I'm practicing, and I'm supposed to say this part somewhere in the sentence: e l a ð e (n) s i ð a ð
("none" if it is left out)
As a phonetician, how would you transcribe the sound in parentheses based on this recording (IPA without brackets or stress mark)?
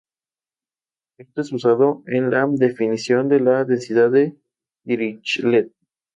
n